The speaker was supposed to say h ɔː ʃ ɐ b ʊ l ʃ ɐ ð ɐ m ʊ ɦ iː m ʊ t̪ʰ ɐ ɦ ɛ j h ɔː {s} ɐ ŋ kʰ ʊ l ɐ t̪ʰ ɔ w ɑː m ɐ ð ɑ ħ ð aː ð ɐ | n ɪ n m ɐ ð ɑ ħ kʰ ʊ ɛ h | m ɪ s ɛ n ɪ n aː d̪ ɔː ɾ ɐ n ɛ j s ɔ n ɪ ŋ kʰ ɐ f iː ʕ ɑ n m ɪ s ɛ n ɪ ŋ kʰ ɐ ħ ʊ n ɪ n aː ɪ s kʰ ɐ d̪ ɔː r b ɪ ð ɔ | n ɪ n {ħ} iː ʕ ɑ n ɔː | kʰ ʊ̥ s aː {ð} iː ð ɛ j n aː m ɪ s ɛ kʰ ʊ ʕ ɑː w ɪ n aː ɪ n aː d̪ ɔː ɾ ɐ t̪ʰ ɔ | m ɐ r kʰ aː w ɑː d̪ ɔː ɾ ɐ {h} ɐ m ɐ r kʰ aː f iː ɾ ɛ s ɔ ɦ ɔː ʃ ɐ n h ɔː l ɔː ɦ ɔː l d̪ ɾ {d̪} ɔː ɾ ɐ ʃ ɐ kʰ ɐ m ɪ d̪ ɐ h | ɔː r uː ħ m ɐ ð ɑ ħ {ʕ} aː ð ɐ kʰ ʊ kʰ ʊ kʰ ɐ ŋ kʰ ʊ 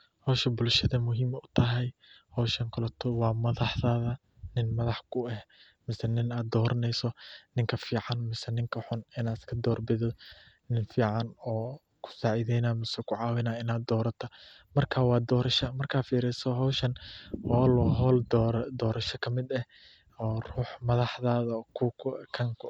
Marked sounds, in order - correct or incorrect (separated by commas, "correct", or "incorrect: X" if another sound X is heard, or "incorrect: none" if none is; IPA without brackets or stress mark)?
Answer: incorrect: ʃ, incorrect: f, incorrect: ʕ, incorrect: ʃ, correct, incorrect: ð